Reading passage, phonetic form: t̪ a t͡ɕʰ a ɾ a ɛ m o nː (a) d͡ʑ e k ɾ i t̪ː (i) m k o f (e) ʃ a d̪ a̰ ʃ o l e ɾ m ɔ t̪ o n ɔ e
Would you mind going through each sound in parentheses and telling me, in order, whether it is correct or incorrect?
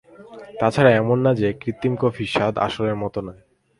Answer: correct, correct, incorrect: i

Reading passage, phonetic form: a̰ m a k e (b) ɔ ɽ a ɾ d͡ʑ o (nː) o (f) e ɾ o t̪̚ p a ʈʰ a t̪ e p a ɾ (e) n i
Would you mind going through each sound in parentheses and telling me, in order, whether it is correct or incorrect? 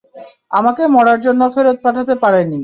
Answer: incorrect: m, correct, correct, correct

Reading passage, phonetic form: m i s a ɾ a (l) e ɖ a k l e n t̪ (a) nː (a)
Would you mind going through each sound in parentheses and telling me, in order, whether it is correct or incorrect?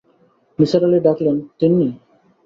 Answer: correct, incorrect: i, incorrect: i

